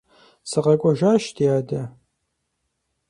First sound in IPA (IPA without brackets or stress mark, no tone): s